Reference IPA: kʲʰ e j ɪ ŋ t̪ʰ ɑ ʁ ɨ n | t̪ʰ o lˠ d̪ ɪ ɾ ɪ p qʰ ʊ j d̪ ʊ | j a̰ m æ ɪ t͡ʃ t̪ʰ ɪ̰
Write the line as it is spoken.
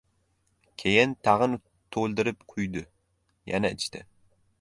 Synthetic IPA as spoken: kʲʰ e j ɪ n t̪ʰ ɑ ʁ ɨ n | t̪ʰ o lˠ d̪ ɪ ɾ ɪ p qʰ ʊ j d̪ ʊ | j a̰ n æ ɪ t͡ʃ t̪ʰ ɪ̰

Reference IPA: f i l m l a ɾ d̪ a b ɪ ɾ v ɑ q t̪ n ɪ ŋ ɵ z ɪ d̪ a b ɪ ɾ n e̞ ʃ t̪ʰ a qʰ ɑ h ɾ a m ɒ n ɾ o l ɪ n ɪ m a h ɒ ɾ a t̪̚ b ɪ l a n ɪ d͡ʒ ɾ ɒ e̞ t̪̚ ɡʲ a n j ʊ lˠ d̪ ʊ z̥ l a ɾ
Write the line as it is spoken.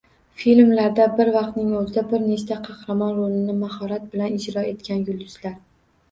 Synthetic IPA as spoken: f i l m l a ɾ d̪ a b ɪ ɾ v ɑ q t̪ n ɪ ŋ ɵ z ɪ d̪ a b ɪ ɾ n e̞ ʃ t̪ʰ a qʰ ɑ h ɾ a m ɒ n ɾ o l ɪ n ɪ m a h ɒ ɾ a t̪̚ b ɪ l a n ɪ d͡ʒ ɾ ɒ e̞ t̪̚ kʲ a n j ʊ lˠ d̪ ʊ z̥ l a ɾ

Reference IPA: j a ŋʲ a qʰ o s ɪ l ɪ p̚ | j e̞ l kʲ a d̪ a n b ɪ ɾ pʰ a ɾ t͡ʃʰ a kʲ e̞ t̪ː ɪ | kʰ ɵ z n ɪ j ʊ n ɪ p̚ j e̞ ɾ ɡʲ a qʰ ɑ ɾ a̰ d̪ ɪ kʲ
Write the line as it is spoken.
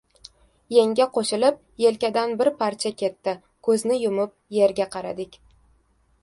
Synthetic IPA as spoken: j e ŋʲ a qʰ o ʃ ɪ l ɪ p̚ | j e̞ l kʲ a d̪ a n b ɪ ɾ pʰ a ɾ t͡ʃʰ a kʲ e̞ t̪ː ɪ | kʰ ɵ z n ɪ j ʊ m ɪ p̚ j e̞ ɾ ɡʲ a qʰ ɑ ɾ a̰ d̪ ɪ kʲ

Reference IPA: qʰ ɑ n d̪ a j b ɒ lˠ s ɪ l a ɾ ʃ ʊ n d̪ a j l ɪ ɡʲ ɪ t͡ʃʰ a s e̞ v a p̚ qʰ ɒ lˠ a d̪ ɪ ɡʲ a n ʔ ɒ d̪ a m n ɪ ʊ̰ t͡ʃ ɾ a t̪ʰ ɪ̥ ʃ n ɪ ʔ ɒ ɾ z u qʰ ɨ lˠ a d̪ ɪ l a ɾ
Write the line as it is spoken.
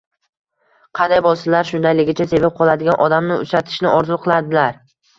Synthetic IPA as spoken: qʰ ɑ n d̪ a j b ɒ lˠ s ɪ l a ɾ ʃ ʊ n d̪ a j l ɪ ɡʲ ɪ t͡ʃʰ a s e̞ v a p̚ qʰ ɒ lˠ a d̪ ɪ ɡʲ a n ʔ ɒ d̪ a m n ɪ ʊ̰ t͡ʃ ɾ a t̪ʰ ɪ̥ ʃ n ɪ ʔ ɒ ɾ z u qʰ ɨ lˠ a d̪ ɪ l a ɾ

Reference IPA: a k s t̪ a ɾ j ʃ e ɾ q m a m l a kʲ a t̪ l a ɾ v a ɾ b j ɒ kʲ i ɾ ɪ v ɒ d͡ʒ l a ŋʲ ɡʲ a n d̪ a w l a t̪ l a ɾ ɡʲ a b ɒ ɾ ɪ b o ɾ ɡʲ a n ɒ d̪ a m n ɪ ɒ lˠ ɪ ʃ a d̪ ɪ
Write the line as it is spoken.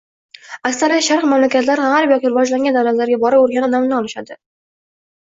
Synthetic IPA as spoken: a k s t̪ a ɾ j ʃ a ɾ q m a m l a kʲ a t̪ l a ɾ ʁ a ɾ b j ɒ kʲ i ɾ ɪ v ɒ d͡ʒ l a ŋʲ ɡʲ a n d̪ a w l a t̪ l a ɾ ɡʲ a b ɒ ɾ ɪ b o ɾ ɡʲ a n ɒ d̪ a m n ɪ ɒ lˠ ɪ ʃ a d̪ ɪ

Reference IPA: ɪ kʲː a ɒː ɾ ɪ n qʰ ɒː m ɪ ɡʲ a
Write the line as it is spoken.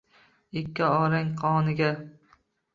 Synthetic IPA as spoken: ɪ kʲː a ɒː ɾ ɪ ŋ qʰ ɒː n ɪ ɡʲ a

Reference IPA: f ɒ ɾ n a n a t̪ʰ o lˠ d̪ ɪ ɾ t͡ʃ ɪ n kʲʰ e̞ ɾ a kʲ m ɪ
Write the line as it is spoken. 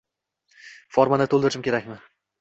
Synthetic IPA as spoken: f ɒ ɾ m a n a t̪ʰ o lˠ d̪ ɪ ɾ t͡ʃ ɪ m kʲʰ e̞ ɾ a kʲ m ɪ

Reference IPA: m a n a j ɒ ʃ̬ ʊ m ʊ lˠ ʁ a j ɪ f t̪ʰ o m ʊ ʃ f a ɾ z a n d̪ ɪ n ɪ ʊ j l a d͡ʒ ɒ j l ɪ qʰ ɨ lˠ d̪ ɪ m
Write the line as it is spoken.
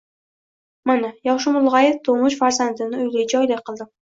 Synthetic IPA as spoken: m a n a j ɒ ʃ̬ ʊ m ʊ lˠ ʁ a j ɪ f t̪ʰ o m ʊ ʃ f a ɾ z a n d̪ ɪ n ɪ ʊ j l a d͡ʒ ɒ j l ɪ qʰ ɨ lˠ d̪ ɪ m

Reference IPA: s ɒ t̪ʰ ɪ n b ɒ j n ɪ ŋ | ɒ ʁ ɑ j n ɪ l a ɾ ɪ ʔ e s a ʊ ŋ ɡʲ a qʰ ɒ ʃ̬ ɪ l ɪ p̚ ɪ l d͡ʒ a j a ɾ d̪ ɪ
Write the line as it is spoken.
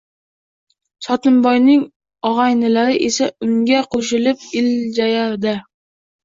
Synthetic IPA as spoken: s ɒ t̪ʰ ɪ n b ɒ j n ɪ ŋ | ɒ ʁ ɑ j n ɪ l a ɾ ɪ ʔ e s a ʊ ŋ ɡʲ a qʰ o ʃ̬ ɪ l ɪ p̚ ɪ l d͡ʒ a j a ɾ d̪ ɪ

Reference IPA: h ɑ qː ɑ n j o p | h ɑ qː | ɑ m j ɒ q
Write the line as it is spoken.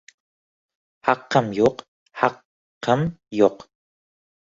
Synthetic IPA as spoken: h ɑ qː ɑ m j o q | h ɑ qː | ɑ m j o q

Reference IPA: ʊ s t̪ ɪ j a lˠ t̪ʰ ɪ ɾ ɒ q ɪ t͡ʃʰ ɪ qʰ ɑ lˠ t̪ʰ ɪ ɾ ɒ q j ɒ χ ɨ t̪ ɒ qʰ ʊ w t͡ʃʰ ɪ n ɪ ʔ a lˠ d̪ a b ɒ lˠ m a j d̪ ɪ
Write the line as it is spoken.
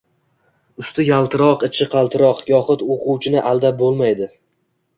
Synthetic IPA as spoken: ʊ s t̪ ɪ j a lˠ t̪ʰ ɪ ɾ ɒ q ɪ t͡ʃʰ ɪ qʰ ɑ lˠ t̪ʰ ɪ ɾ ɒ q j ɒ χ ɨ t̪ o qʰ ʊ w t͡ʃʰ ɪ n ɪ ʔ a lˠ d̪ a b o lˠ m a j d̪ ɪ

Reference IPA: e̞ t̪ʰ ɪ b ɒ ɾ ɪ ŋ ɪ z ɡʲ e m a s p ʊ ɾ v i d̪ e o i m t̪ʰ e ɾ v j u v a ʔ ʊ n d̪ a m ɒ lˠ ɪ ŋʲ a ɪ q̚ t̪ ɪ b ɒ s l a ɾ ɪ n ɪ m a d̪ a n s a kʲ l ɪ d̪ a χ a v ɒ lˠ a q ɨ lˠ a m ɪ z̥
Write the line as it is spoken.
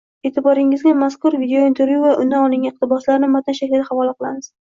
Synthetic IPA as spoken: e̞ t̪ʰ ɪ b ɒ ɾ ɪ ŋ ɪ z ɡʲ a m a s k ʊ ɾ v i d̪ e o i n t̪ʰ e ɾ v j u v a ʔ ʊ n d̪ a n ɒ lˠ ɪ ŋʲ a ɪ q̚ t̪ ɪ b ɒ s l a ɾ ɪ n ɪ m a t̪ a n ʃ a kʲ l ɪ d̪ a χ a v ɒ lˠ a q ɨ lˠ a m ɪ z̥

